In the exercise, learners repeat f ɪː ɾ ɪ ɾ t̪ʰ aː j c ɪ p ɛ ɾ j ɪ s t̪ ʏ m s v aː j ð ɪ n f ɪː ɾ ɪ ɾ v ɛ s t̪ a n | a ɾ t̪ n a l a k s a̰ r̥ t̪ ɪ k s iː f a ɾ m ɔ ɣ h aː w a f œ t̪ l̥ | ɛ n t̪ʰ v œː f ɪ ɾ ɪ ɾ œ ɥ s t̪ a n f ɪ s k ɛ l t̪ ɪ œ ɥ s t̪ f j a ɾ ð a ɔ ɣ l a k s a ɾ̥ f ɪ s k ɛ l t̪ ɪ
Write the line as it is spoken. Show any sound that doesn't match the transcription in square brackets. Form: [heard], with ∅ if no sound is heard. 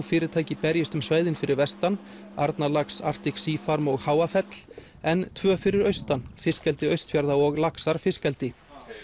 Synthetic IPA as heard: f ɪː ɾ ɪ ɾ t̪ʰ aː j c ɪ p ɛ ɾ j ɪ s t̪ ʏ m s v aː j ð ɪ n f [ɪ] ɾ ɪ ɾ v ɛ s t̪ a n | a ɾ t̪ n a l a k s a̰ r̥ t̪ ɪ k s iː f a ɾ m ɔ ɣ h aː w a f [ɛ] t̪ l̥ | ɛ n t̪ʰ v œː f ɪ ɾ ɪ ɾ œ ɥ s t̪ a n f ɪ s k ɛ l t̪ ɪ œ ɥ s t̪ f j a ɾ ð a ɔ ɣ l a k s a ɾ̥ f ɪ s k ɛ l t̪ ɪ